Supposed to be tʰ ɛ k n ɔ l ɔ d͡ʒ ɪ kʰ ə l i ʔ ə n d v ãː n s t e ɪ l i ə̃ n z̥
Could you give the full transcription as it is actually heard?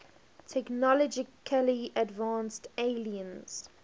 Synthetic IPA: tʰ ɛ k n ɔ l ɔ d͡ʒ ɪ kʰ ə l i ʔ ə d v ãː n s t e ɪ l i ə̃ n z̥